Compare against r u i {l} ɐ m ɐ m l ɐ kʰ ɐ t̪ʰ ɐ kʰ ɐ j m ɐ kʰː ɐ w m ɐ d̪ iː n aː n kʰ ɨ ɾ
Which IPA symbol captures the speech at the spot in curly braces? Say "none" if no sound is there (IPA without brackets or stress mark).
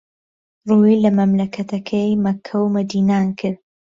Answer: l